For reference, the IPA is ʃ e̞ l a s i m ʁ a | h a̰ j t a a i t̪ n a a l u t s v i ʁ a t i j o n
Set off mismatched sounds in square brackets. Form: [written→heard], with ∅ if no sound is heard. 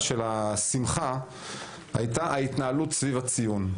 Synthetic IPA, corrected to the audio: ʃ e̞ l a s i m [ʁ→χ] a | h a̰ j t a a i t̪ n a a l u t s v i [ʁ→v] a [t→t͡s] i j [o→u] n